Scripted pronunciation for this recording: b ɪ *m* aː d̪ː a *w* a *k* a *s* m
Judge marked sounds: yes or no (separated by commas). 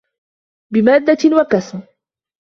yes, yes, yes, yes